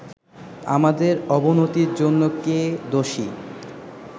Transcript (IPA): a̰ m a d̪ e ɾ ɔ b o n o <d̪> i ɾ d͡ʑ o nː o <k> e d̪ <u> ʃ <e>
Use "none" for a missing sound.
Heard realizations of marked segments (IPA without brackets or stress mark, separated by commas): t̪, k, o, i